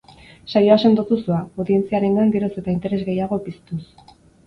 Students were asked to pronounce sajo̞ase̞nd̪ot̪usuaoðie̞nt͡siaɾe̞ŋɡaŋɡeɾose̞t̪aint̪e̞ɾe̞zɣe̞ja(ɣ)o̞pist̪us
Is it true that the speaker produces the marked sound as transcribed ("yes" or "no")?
yes